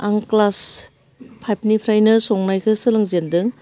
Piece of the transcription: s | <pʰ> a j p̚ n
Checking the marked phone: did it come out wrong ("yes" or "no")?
no